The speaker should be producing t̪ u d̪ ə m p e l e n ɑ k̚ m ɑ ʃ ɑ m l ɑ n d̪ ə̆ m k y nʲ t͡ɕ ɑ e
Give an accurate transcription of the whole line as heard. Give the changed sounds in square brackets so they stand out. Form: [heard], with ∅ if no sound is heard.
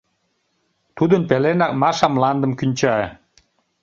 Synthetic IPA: t̪ u d̪ ə [n] p e l e n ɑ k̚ m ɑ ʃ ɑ m l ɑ n d̪ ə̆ m k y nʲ t͡ɕ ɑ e